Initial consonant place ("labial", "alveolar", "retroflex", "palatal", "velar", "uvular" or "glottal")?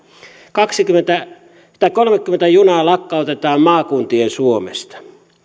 velar